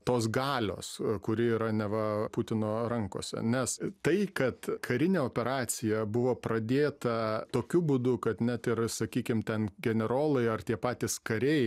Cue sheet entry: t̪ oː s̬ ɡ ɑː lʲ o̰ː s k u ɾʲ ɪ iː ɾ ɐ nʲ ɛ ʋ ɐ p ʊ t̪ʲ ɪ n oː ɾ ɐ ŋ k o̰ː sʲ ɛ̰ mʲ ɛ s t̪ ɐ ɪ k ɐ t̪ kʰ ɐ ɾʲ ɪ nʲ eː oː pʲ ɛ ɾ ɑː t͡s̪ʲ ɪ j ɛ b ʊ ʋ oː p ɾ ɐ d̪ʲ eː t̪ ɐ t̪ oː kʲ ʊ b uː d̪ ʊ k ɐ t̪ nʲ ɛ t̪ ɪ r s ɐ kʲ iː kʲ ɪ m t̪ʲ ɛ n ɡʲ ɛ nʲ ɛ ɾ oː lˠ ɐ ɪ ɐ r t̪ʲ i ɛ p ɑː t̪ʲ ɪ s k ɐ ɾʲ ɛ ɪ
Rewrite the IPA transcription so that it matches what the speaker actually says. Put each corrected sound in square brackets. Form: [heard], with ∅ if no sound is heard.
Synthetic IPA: t̪ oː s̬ ɡ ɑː lʲ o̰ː s k [ʊ] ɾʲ ɪ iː ɾ ɐ nʲ ɛ ʋ ɐ p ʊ t̪ʲ ɪ n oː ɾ ɐ ŋ k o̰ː sʲ ɛ̰ [nʲ] ɛ s t̪ ɐ ɪ k ɐ t̪ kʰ ɐ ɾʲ ɪ nʲ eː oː pʲ ɛ ɾ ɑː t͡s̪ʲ ɪ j ɛ b ʊ ʋ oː p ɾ ɐ d̪ʲ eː t̪ ɐ t̪ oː kʲ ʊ b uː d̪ ʊ k ɐ t̪ nʲ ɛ t̪ ɪ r s ɐ kʲ iː kʲ ɪ m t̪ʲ ɛ n ɡʲ ɛ nʲ ɛ ɾ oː lˠ ɐ ɪ ɐ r t̪ʲ i ɛ p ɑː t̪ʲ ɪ s k ɐ ɾʲ ɛ ɪ